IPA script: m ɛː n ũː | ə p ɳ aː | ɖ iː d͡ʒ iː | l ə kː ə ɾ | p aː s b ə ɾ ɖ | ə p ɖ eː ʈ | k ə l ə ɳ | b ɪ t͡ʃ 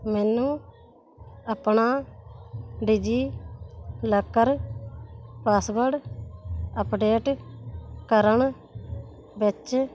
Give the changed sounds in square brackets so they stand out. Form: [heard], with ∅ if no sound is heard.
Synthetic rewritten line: m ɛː n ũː | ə p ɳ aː | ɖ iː d͡ʒ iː | l ə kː ə ɾ | p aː s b ə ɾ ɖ | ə p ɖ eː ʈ | k ə [ɾ] ə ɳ | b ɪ t͡ʃ